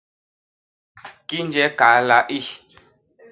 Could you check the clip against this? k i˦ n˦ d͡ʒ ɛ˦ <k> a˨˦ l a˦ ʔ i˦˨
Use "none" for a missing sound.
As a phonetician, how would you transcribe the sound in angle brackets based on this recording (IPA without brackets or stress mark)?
k